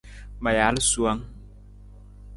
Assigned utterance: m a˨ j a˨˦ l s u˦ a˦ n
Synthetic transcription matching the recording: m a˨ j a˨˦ l s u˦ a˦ ŋ